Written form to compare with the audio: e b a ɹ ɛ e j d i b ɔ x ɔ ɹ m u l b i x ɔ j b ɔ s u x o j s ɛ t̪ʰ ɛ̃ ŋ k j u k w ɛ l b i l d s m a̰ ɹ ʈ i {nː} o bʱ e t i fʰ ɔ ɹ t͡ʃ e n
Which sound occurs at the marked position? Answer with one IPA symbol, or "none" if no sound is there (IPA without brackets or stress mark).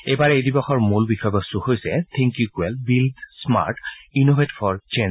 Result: n